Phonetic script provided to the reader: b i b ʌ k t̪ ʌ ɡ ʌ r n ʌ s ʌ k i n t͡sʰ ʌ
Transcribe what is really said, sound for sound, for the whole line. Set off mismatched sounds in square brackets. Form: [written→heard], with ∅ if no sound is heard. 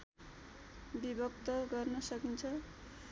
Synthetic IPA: b i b ʌ k t̪ ʌ ɡ ʌ r n ʌ s ʌ k i n t͡sʰ ʌ